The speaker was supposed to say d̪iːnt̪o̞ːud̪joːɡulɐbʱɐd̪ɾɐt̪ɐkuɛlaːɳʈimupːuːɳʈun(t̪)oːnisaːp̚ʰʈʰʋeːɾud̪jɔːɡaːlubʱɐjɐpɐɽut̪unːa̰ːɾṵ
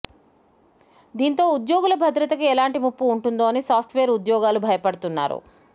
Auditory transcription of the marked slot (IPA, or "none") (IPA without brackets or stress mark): d̪